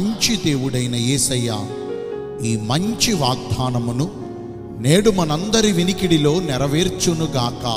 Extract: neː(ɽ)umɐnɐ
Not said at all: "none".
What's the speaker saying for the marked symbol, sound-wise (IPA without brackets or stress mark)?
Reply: ɽ